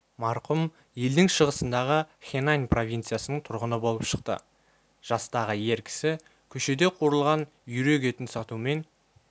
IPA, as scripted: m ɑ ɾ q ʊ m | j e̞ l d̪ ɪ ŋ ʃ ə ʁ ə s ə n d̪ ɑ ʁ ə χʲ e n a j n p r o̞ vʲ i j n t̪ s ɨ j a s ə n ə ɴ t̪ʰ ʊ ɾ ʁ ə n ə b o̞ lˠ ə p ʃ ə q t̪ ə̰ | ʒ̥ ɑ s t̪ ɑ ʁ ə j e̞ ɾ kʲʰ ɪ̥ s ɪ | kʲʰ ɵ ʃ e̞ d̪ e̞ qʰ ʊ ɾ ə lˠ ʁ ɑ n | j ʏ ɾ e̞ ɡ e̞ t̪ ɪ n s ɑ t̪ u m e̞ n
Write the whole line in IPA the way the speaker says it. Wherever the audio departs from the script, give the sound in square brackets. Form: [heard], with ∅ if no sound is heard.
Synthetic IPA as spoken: m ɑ ɾ q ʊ m | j e̞ l d̪ ɪ ŋ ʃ ə ʁ ə s ə n d̪ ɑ ʁ ə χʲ e n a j n p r o̞ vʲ i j n t̪ s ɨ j a s ə n ə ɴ t̪ʰ ʊ ɾ ʁ ə n ə b o̞ lˠ ə p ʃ ə q t̪ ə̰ | ʒ̥ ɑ s t̪ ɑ ʁ ə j e̞ ɾ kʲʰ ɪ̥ s ɪ | kʲʰ ɵ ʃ e̞ d̪ e̞ qʰ [u] ɾ ə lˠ ʁ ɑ n | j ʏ ɾ e̞ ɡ e̞ t̪ ɪ n s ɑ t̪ u m e̞ n